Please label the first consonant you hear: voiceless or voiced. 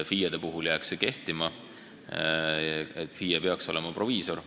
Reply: voiceless